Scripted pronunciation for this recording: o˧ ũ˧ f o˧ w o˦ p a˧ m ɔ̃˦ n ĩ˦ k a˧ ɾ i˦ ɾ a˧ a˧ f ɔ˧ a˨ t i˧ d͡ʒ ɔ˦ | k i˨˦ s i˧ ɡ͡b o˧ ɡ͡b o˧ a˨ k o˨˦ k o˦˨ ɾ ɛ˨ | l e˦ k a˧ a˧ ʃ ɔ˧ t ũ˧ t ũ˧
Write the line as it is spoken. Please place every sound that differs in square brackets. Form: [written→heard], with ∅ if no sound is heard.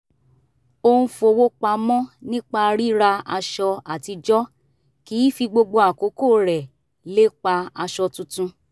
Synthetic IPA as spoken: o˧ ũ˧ f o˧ w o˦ [p→k͡p] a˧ m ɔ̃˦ n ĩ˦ [k→k͡p] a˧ ɾ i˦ ɾ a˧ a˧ [f→ʃ] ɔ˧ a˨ t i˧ d͡ʒ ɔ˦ | k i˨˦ [s→f] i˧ ɡ͡b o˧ ɡ͡b o˧ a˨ k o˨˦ k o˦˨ ɾ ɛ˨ | l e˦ [k→k͡p] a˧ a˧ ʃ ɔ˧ t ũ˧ t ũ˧

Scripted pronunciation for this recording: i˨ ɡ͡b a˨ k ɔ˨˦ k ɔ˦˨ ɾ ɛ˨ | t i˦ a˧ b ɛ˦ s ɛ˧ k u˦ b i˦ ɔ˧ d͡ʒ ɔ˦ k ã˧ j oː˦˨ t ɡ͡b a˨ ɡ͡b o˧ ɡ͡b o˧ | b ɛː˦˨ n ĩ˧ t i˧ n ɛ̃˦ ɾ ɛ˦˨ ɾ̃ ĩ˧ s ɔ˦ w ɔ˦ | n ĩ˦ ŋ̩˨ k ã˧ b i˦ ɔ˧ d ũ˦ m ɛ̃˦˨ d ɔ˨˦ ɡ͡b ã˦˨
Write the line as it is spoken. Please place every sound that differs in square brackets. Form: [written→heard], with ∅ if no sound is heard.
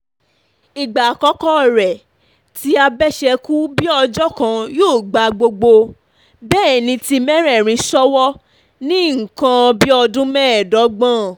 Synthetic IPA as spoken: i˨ ɡ͡b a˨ k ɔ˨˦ k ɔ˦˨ ɾ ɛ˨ | t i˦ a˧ b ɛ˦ [s→ʃ] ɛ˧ k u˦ b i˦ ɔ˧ d͡ʒ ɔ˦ k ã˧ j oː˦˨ [t→∅] ɡ͡b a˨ ɡ͡b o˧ ɡ͡b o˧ | b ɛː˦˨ n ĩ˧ t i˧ [n→m] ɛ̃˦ ɾ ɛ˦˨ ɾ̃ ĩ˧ s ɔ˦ w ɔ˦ | n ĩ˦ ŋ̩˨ k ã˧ b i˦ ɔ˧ d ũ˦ m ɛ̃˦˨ d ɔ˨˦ ɡ͡b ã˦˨

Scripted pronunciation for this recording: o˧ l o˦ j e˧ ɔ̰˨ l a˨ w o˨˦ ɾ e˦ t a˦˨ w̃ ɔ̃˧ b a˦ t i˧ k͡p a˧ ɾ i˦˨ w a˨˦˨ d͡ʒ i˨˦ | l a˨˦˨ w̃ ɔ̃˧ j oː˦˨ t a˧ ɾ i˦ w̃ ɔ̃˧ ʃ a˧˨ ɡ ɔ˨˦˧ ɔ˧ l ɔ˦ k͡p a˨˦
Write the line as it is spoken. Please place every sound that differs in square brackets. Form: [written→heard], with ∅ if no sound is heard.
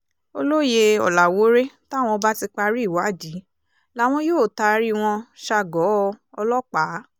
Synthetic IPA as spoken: o˧ l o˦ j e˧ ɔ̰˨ l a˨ w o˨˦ ɾ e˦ t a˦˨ w̃ ɔ̃˧ b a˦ t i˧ k͡p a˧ ɾ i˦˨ w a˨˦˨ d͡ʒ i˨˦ | l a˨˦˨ w̃ ɔ̃˧ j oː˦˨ t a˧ ɾ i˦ w̃ ɔ̃˧ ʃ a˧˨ ɡ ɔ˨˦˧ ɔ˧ l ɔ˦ k͡p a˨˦

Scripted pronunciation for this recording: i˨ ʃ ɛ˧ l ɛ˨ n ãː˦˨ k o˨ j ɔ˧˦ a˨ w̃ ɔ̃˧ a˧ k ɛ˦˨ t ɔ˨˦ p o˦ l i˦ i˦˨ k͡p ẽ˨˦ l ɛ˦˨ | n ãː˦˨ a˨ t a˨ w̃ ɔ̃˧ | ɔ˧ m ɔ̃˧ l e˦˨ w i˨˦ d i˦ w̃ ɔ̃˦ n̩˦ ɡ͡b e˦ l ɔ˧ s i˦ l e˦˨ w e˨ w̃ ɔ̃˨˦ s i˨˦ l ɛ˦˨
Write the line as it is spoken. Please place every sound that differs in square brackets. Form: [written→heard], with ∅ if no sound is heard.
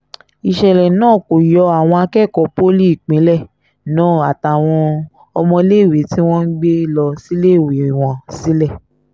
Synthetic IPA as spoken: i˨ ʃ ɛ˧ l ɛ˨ n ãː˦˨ k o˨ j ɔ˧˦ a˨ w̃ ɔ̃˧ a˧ k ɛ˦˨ [t→k] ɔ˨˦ p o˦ l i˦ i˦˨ k͡p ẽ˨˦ l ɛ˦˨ | n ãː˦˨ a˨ t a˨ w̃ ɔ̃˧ | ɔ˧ m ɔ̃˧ l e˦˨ w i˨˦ [d→t] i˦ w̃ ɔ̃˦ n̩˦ ɡ͡b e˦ l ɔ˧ s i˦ l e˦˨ w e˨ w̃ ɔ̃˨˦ s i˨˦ l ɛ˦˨

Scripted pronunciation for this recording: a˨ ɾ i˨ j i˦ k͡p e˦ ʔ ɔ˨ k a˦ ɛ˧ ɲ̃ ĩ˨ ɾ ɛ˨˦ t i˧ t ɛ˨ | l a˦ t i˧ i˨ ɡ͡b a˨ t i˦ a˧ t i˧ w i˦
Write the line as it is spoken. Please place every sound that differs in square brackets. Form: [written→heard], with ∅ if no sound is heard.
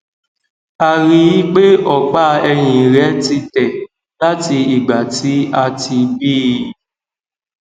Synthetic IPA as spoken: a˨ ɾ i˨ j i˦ k͡p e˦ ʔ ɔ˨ [k→k͡p] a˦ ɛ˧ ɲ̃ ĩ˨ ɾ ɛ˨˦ t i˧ t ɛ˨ | l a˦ t i˧ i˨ ɡ͡b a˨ t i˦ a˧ t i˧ [w→b] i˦

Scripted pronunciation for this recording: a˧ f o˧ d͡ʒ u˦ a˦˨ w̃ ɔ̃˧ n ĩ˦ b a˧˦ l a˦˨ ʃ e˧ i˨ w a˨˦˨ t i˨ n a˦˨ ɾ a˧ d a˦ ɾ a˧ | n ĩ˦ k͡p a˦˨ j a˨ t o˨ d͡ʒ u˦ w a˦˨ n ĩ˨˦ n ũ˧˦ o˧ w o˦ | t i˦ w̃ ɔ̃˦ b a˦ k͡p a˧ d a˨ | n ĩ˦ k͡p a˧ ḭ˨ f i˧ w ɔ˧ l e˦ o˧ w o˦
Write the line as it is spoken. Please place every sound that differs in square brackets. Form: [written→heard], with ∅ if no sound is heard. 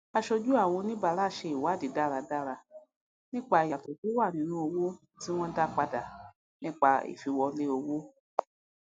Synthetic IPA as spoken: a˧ [f→ʃ] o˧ d͡ʒ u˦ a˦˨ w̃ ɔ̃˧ n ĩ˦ b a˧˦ l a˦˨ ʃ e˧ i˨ w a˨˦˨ [t→d] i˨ [n→d] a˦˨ ɾ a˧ d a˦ ɾ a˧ | n ĩ˦ k͡p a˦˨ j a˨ t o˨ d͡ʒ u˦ w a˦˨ n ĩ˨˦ n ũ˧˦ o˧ w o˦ | t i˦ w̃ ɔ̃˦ [b→d] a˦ k͡p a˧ d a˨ | n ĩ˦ k͡p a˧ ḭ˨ f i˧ w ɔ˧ l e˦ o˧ w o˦

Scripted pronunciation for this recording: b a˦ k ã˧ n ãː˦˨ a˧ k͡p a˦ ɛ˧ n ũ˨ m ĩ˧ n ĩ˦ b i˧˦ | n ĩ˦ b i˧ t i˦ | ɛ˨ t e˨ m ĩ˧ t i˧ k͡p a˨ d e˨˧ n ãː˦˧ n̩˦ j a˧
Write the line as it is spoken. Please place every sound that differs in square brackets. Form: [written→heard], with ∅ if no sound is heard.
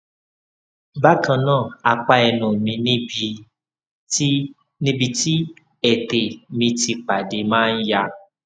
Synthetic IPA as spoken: b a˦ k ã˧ n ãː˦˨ a˧ k͡p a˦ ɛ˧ n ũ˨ m ĩ˧ n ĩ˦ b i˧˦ | n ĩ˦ b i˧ t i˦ | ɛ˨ t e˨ m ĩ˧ t i˧ k͡p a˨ d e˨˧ [n→m] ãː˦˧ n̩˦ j a˧

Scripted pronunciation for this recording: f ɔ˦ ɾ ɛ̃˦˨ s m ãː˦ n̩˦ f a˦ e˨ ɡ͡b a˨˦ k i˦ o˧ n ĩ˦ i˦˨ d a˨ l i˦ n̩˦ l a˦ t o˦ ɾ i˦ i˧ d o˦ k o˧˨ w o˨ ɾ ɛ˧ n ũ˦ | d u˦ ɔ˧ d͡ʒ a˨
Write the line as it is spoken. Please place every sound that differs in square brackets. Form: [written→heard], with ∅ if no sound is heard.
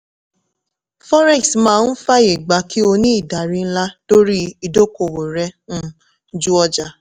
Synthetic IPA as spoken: f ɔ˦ ɾ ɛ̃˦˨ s m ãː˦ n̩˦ f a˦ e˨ ɡ͡b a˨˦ k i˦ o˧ n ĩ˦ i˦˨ d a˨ [l→ɾ] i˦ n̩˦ l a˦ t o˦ ɾ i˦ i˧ d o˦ k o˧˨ w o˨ ɾ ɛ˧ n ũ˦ | [d→d͡ʒ] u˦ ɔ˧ d͡ʒ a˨

